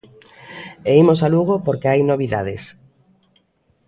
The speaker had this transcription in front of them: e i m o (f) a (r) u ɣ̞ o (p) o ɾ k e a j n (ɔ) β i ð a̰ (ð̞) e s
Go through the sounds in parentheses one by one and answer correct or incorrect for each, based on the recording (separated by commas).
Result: incorrect, incorrect, correct, incorrect, correct